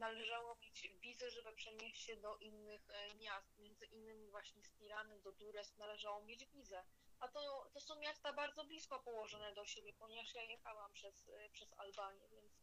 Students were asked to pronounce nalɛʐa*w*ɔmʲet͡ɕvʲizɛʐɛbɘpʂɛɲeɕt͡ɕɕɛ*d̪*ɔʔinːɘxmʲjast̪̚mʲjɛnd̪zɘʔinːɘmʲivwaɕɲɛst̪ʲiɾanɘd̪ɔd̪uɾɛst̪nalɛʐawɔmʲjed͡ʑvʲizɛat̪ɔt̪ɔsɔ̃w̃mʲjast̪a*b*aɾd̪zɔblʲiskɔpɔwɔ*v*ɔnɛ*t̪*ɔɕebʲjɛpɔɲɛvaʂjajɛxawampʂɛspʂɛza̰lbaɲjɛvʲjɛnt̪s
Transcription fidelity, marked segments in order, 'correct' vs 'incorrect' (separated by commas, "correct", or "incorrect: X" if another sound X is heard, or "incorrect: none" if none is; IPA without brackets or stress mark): correct, correct, correct, incorrect: ʐ, incorrect: d̪